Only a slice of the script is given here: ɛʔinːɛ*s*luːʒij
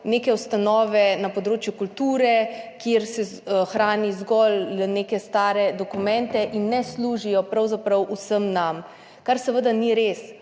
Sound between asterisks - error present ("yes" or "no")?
no